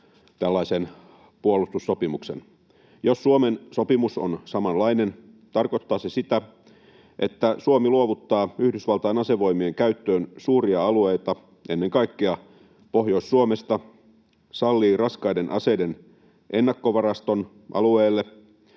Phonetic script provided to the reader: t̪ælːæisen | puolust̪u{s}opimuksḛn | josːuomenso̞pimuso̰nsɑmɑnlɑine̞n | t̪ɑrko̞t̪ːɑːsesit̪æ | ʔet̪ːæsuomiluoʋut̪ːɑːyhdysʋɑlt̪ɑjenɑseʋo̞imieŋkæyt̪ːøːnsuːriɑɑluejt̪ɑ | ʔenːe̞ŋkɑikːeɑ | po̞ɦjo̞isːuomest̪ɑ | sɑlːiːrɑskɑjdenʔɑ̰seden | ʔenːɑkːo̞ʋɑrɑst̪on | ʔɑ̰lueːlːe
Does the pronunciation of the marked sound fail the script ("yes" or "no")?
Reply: yes